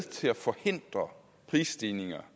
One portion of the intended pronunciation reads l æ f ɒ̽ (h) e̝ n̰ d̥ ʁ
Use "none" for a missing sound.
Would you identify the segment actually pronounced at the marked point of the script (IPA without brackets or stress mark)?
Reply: h